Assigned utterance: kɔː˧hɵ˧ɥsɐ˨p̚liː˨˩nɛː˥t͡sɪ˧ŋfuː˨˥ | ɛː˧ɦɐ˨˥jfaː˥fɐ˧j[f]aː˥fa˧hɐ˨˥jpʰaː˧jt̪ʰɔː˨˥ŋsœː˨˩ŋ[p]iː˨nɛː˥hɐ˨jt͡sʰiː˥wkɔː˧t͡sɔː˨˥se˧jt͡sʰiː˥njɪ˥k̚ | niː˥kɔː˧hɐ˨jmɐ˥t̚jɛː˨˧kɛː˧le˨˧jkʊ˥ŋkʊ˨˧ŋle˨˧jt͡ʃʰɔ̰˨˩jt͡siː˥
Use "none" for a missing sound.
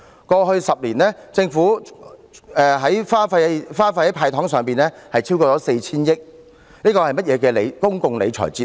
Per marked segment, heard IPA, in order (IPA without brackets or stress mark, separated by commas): f, p